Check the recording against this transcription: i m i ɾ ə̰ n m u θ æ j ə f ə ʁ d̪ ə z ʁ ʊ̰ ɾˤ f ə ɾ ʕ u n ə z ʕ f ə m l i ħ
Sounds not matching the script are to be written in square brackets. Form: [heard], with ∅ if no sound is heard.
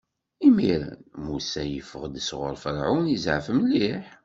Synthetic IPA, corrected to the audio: i m i ɾ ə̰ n m u [s] æ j ə f ə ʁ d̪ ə [s] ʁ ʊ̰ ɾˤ f ə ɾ ʕ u n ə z ʕ f ə m l i ħ